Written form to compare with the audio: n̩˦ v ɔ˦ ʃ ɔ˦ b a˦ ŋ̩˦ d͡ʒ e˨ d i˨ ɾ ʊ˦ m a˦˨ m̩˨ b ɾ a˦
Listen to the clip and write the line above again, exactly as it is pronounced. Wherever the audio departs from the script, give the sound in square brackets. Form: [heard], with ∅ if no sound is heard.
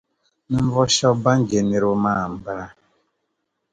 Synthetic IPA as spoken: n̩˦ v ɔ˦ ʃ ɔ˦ b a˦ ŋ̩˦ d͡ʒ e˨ [n] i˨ ɾ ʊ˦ m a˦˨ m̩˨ b ɾ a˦